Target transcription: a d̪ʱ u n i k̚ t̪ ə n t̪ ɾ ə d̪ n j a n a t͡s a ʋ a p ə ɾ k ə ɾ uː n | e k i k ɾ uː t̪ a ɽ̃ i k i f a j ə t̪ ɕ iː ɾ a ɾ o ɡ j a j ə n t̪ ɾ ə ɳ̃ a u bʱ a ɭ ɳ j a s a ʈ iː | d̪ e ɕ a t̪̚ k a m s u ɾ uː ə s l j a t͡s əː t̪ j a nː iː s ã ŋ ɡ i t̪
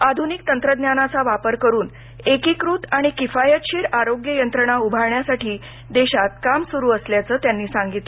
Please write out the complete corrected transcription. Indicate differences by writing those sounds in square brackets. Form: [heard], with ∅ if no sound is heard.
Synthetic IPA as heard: a d̪ʱ u n i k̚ t̪ ə n t̪ ɾ ə d̪ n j a n a t͡s a ʋ a p ə ɾ k ə ɾ uː n | e k i k ɾ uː t̪ a ɽ̃ i k i f a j ə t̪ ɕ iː ɾ a ɾ o ɡ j [ə] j ə n t̪ ɾ ə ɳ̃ a u bʱ a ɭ ɳ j a s a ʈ iː | d̪ e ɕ a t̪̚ k a m s u ɾ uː ə s l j a t͡s əː t̪ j a nː iː s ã ŋ ɡ i t̪

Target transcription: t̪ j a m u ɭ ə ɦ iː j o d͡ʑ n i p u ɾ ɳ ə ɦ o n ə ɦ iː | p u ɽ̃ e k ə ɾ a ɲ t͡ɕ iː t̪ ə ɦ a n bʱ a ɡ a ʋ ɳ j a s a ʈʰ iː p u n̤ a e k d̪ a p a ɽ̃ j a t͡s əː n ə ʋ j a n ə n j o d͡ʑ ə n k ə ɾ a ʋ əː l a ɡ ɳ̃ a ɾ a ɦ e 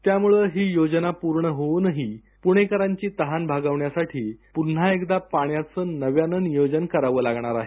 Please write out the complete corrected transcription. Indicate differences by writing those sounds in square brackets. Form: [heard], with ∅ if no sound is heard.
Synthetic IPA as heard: t̪ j a m u ɭ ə ɦ iː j o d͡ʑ n [a] p u ɾ ɳ ə ɦ o n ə ɦ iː | p u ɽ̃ e k ə ɾ a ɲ t͡ɕ iː t̪ ə ɦ a n bʱ a ɡ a ʋ ɳ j a s a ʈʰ iː p u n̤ a e k d̪ a p a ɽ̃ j a t͡s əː n ə ʋ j a n ə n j o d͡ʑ ə n k ə ɾ a ʋ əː l a ɡ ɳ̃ a ɾ a ɦ e

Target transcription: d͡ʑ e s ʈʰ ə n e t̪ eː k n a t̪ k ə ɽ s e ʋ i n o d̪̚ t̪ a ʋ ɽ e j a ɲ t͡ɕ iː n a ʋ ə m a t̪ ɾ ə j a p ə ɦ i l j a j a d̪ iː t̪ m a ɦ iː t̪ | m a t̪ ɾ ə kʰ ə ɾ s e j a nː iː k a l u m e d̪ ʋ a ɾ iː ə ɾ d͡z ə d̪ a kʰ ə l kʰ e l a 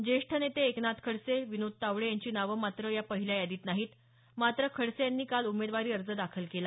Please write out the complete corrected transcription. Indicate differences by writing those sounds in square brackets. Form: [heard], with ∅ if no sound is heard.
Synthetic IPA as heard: d͡ʑ e [ʂ] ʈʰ ə n e t̪ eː k n a t̪ [kʰ] ə ɽ s e ʋ i n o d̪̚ t̪ a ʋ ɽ e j a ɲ t͡ɕ iː n a ʋ ə m a t̪ ɾ ə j a p ə ɦ i l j a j a d̪ iː t̪ [n] a ɦ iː t̪ | m a t̪ ɾ ə kʰ ə [ɽ] s e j a nː iː k a l u m e d̪ ʋ a ɾ iː ə ɾ d͡z ə d̪ a kʰ ə l [k] e l a

